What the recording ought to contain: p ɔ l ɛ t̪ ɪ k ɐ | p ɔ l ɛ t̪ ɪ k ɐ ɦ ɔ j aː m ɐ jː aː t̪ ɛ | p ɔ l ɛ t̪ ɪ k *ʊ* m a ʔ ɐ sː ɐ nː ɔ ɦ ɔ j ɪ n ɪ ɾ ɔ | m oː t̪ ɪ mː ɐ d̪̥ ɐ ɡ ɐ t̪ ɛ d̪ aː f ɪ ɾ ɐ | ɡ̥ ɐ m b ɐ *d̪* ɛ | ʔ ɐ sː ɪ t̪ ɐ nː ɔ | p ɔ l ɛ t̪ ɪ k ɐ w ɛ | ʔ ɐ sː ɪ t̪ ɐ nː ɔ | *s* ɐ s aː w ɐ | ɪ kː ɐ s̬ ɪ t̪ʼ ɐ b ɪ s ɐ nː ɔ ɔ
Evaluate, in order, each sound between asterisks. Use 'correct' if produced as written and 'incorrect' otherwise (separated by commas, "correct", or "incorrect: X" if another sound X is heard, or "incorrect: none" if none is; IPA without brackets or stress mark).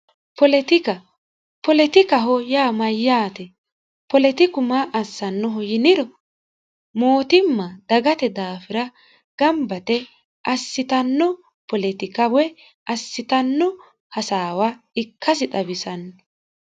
correct, incorrect: t̪, incorrect: h